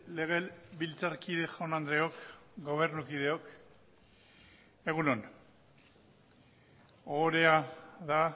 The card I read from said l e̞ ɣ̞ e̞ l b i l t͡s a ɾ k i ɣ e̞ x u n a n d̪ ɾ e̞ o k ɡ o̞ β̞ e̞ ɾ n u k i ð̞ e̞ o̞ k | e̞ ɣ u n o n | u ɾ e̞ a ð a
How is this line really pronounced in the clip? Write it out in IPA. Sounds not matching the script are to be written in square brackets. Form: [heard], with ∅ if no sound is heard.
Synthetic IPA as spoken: l e̞ ɣ̞ e̞ l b i l t͡s a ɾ k i [ð] e̞ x [o] n a n d̪ ɾ e̞ o k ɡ o̞ β̞ e̞ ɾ n u k i ð̞ e̞ o̞ k | e̞ ɣ u n o n | [o] ɾ e̞ a ð a

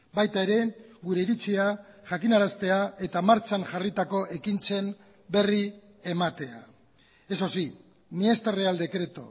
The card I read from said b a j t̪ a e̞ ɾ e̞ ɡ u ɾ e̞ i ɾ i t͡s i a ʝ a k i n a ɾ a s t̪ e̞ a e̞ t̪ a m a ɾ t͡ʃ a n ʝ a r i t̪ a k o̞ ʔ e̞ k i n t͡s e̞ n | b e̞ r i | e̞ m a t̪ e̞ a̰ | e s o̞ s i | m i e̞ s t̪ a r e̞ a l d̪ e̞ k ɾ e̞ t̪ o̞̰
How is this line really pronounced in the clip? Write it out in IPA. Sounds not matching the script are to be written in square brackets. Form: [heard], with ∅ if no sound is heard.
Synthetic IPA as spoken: b a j t̪ a e̞ ɾ e̞ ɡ u ɾ e̞ i ɾ i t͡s i a ʝ a k i n a ɾ a s t̪ e̞ a e̞ t̪ a m a ɾ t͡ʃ a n ʝ a r i t̪ a k o̞ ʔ e̞ k i n t͡s e̞ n | b e̞ r i | e̞ m a t̪ e̞ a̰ | e s o̞ s i | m i e̞ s t̪ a r e̞ a l d̪ e̞ k ɾ e̞ t̪ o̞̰

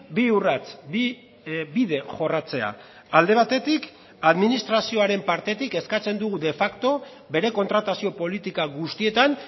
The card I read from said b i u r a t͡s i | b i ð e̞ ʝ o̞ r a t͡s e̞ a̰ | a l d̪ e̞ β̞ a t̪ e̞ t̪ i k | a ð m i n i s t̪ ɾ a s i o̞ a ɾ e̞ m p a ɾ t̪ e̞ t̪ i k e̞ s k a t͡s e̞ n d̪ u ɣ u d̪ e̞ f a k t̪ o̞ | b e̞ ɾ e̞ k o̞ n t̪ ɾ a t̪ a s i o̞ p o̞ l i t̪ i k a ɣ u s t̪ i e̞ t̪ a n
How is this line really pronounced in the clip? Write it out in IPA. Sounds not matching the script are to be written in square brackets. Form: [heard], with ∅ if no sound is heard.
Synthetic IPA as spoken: b i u r a t͡s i | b i ð e̞ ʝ o̞ r a t͡s e̞ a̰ | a l d̪ e̞ β̞ a t̪ e̞ t̪ i k | a ð m i n i s t̪ ɾ a s i o̞ a ɾ e̞ m p a ɾ t̪ e̞ t̪ i k e̞ s k a t͡s e̞ n d̪ u ɣ u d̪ e̞ f a k t̪ o̞ | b e̞ ɾ e̞ k o̞ n t̪ ɾ a t̪ a s i o̞ p o̞ l i t̪ i k a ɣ u s t̪ i e̞ t̪ a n

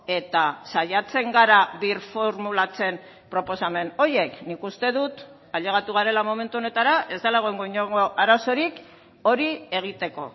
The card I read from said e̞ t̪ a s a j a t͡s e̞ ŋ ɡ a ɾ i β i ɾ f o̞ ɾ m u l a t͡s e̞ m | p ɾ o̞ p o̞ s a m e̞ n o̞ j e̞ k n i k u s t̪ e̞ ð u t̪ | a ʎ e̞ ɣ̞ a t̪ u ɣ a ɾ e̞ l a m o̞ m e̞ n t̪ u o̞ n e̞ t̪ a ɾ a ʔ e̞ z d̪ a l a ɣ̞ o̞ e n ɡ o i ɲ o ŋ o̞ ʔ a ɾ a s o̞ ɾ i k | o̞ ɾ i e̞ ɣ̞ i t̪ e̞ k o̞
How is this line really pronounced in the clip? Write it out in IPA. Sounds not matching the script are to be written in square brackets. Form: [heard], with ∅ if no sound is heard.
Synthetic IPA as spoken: e̞ t̪ a s a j a t͡s e̞ ŋ ɡ a ɾ [a] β i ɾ f o̞ ɾ m u l a t͡s e̞ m | p ɾ o̞ p o̞ s a m e̞ n o̞ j e̞ k n i k u s t̪ e̞ ð u t̪ | a ʎ e̞ ɣ̞ a t̪ u ɣ a ɾ e̞ l a m o̞ m e̞ n t̪ u o̞ n e̞ t̪ a ɾ a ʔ e̞ z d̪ a l a ɣ̞ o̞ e [ŋ] ɡ o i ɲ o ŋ o̞ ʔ a ɾ a s o̞ ɾ i k | o̞ ɾ i e̞ ɣ̞ i t̪ e̞ k o̞

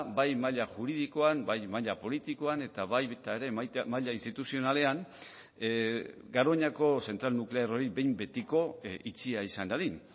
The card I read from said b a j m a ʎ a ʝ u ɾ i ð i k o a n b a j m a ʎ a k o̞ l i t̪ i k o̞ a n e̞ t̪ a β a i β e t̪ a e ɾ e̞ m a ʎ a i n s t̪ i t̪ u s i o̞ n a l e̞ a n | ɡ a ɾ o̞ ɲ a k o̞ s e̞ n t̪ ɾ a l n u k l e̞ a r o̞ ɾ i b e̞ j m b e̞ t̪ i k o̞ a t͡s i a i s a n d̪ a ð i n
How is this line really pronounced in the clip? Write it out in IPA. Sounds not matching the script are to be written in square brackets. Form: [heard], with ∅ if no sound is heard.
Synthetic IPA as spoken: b a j m a ʎ a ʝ u ɾ i ð i k o a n b a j m a ʎ a [p] o̞ l i t̪ i k o̞ a n e̞ t̪ a β a [j] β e t̪ a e ɾ e̞ m a ʎ a i n s t̪ i t̪ u s i o̞ n a l e̞ a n | ɡ a ɾ o̞ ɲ a k o̞ s e̞ n t̪ ɾ a l n u k l e̞ a r o̞ ɾ i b e̞ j m b e̞ t̪ i k o̞ [i] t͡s i a i s a n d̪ a ð i n

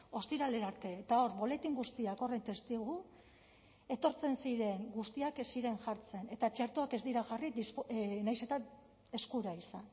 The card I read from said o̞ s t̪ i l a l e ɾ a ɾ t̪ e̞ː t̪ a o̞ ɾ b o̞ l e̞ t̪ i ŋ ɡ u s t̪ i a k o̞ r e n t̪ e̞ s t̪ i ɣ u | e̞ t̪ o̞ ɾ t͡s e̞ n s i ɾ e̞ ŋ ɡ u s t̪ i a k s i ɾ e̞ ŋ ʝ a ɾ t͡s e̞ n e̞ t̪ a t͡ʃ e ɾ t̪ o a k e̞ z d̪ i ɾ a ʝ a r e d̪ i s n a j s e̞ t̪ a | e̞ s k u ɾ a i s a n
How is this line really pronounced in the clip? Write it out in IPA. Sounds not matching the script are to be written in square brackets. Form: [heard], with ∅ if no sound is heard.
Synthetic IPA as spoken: o̞ s t̪ i [ɾ] a l e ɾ a ɾ t̪ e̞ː t̪ a o̞ ɾ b o̞ l e̞ t̪ i ŋ ɡ u s t̪ i a k o̞ r e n t̪ e̞ s t̪ i ɣ u | e̞ t̪ o̞ ɾ t͡s e̞ n s i ɾ e̞ ŋ ɡ u s t̪ i a k s i ɾ e̞ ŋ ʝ a ɾ t͡s e̞ n e̞ t̪ a t͡ʃ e ɾ t̪ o a k e̞ z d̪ i ɾ a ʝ a r [i] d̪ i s n a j s e̞ t̪ a | e̞ s k u ɾ a i s a n

